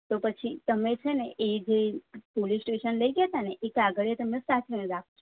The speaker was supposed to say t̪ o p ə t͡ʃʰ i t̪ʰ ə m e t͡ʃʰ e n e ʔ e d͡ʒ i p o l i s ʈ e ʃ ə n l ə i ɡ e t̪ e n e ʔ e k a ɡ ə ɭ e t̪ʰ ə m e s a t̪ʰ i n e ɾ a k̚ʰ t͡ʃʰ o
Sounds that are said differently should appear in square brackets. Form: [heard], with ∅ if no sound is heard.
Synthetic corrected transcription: t̪ o p ə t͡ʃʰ i [t̪] ə m e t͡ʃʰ e n e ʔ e d͡ʒ [e] p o l i s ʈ e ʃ ə n l ə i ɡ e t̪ [a] n e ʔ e k a ɡ ə ɭ e [t̪] ə m e s a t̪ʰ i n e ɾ a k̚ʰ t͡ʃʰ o

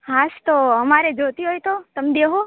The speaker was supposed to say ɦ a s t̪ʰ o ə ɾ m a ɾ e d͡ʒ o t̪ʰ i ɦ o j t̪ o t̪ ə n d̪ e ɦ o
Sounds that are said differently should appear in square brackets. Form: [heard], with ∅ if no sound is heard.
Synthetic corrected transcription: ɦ a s [t̪] o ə [∅] m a ɾ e d͡ʒ o [t̪] i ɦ o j t̪ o t̪ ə [m] d̪ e ɦ o

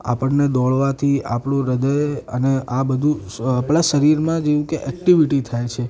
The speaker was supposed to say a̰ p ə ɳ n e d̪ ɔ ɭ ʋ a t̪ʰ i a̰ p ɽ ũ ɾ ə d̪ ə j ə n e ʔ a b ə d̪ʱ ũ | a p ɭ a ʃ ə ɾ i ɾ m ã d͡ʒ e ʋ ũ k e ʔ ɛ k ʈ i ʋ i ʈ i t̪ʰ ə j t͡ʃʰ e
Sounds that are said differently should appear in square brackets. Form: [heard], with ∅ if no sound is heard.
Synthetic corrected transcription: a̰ p ə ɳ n e d̪ ɔ ɭ ʋ a t̪ʰ i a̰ p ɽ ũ ɾ ə d̪ ə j ə n e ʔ a b ə d̪ʱ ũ | a p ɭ a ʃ ə ɾ i ɾ m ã d͡ʒ e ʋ ũ k e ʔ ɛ k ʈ i ʋ i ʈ i t̪ʰ [a] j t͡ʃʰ e

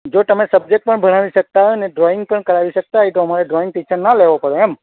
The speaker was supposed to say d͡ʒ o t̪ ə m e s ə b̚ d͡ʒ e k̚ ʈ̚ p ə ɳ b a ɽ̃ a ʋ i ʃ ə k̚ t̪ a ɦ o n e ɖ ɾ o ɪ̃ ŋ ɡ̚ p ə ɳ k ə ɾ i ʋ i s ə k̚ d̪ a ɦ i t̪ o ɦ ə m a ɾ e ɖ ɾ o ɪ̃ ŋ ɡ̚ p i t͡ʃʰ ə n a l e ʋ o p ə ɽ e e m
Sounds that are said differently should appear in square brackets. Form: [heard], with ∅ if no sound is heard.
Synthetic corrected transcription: d͡ʒ o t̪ ə m e s ə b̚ d͡ʒ e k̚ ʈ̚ p ə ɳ b [ə] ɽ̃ a ʋ i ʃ ə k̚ t̪ a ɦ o n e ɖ ɾ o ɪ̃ ŋ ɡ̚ p ə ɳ k ə ɾ [a] ʋ i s ə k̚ [t̪] a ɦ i t̪ o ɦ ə m a ɾ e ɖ ɾ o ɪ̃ ŋ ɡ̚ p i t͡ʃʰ ə n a l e ʋ o p ə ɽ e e m

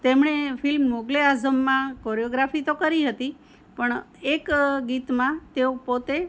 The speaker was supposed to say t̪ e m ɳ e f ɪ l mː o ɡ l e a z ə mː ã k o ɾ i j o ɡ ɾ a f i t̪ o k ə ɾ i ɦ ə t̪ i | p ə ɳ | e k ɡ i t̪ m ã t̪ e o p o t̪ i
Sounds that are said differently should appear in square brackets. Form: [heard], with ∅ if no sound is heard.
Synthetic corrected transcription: t̪ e m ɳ e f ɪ l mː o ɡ l e a z ə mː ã k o ɾ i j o ɡ ɾ a f i t̪ o k ə ɾ i ɦ ə t̪ i | p ə ɳ | e k ɡ i t̪ m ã t̪ e o p o t̪ [e]

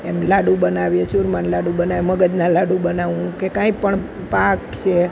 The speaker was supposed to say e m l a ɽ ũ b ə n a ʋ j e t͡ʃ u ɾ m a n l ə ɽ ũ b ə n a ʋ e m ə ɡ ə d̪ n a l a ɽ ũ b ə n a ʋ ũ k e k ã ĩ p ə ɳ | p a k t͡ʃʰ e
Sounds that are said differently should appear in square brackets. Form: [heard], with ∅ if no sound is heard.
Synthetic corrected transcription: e m l a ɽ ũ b ə n a ʋ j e t͡ʃ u ɾ m a n l [a] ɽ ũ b ə n a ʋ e m ə ɡ ə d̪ n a l a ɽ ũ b ə n a ʋ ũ k e k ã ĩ p ə ɳ | p a k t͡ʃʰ e

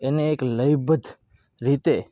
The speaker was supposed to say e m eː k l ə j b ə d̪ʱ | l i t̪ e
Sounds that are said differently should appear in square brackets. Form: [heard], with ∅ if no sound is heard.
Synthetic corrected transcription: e [n] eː k l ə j b ə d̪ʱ | [ɾ] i t̪ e

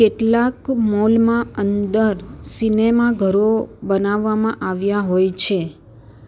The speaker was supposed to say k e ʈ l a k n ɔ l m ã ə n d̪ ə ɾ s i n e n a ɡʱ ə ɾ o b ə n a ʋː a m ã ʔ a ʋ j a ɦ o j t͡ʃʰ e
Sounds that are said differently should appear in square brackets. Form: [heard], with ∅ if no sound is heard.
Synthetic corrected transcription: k e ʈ l a k [m] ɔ l m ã ə n d̪ ə ɾ s i n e [m] a ɡʱ ə ɾ o b ə n a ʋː a m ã ʔ a ʋ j a ɦ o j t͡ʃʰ e

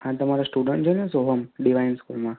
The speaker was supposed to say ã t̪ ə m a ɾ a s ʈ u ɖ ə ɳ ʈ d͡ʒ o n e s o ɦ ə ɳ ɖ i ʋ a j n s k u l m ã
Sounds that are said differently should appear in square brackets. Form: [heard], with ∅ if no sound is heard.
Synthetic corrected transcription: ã t̪ ə m a ɾ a s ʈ u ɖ ə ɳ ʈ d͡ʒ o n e s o ɦ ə [m] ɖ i ʋ a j n s k u l m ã

